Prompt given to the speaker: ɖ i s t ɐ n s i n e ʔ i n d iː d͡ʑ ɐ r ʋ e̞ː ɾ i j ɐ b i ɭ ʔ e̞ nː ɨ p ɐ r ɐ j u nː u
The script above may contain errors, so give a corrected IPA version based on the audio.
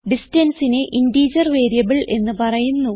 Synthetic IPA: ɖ i s t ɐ n s i n e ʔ i n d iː d͡ʑ ɐ r ʋ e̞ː ɾ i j ɐ b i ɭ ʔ e̞ nː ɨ p ɐ r ɐ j u nː u